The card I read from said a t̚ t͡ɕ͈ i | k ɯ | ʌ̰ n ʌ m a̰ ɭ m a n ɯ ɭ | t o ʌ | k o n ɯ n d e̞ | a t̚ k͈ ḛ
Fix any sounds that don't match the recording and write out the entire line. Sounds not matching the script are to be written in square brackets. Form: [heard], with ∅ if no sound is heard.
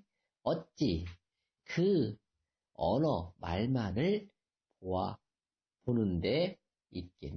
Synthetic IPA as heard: [ʌ] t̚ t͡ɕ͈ i | k ɯ | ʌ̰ n ʌ m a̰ ɭ m a n ɯ ɭ | [p] o [a] | [p] o n ɯ n d e̞ | [i] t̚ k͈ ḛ